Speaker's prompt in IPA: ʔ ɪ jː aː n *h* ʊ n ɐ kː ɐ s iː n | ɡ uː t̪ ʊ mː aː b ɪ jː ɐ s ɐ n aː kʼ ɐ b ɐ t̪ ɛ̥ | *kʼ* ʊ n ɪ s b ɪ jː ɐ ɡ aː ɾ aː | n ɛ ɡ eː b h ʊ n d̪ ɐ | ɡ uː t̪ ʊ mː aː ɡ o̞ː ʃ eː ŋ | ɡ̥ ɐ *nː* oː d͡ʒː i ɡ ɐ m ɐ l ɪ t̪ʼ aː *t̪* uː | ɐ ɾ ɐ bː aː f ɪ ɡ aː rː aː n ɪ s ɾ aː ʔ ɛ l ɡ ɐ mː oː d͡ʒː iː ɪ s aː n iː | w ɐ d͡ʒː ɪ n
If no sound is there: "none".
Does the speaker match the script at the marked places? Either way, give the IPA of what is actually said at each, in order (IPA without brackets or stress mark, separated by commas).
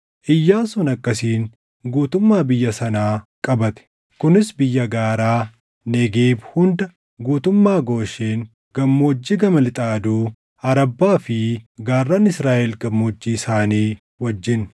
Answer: s, k, mː, d̪